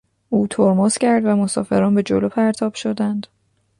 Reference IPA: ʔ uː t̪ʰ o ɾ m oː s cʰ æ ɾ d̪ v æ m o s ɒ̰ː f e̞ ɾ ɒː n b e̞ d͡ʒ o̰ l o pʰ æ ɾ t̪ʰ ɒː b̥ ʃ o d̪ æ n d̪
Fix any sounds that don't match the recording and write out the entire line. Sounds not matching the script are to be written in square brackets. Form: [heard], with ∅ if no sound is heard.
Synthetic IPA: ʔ uː t̪ʰ o ɾ m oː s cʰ æ ɾ d̪ v æ m o s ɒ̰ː f e̞ ɾ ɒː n b e̞ d͡ʒ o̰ l o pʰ æ ɾ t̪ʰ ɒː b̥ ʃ o d̪ æ n d̪